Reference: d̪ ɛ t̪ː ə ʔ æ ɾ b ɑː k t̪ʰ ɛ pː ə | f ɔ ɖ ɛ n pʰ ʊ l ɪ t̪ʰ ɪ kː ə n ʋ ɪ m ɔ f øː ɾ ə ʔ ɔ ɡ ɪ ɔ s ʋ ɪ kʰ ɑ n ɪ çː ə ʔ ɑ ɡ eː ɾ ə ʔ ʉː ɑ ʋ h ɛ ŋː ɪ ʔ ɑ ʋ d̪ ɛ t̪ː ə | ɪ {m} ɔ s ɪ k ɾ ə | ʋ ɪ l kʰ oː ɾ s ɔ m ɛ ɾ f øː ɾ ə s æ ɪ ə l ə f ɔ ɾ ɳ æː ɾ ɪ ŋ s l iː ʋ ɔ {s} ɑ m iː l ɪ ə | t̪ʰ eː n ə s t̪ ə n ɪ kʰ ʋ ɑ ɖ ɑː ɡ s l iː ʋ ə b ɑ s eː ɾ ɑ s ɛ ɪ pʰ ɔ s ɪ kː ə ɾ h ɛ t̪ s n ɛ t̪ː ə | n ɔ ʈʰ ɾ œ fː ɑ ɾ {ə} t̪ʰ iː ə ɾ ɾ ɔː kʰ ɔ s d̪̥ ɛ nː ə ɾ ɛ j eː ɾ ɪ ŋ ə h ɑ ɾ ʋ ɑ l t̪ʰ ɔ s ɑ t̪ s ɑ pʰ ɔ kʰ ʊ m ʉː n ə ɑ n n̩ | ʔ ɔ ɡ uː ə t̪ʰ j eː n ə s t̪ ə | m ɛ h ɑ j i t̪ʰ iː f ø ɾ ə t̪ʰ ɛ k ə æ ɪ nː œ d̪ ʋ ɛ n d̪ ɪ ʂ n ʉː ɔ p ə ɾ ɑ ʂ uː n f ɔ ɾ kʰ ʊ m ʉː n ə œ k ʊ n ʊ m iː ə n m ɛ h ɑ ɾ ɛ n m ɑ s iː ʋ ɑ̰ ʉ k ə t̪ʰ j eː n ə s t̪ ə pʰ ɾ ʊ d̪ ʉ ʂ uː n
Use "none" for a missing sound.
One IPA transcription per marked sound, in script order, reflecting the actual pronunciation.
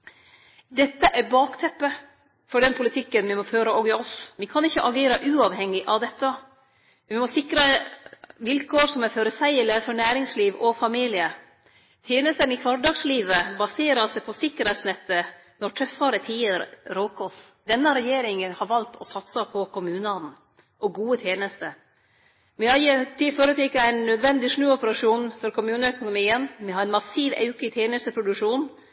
m, f, ə

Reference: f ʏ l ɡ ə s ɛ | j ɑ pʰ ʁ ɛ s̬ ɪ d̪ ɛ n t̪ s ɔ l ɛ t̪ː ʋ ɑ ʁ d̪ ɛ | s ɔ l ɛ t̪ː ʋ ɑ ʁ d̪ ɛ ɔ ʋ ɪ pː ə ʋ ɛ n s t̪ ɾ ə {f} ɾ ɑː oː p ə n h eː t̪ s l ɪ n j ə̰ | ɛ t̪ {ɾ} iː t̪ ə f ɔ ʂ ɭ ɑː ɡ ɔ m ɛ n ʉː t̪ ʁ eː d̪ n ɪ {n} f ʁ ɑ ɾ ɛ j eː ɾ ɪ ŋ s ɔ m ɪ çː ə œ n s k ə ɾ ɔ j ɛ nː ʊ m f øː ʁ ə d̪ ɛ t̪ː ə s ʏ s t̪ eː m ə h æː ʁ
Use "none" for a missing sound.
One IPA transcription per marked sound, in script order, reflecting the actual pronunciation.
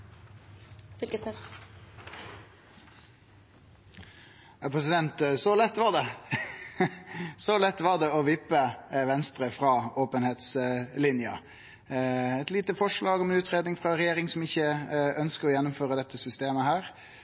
f, l, ŋ

